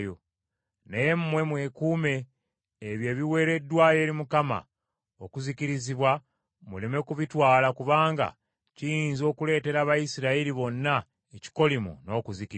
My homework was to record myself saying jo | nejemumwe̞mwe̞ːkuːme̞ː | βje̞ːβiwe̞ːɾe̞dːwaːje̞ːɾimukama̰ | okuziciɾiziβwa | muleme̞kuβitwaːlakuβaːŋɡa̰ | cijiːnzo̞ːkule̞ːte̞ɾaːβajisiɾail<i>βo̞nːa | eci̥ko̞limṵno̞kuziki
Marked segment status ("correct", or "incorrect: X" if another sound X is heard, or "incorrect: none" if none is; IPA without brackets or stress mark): correct